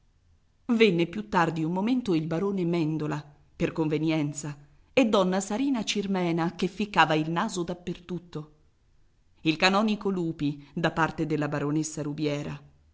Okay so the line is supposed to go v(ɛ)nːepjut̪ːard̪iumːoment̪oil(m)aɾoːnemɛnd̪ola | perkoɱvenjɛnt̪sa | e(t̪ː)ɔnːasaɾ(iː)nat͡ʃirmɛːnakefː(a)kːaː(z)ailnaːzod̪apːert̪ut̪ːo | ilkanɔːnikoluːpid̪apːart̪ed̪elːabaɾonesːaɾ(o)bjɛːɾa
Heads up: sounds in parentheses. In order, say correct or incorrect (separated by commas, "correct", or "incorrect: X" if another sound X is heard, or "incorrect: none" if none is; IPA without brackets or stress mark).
incorrect: e, incorrect: b, incorrect: d̪ː, correct, incorrect: i, incorrect: v, incorrect: u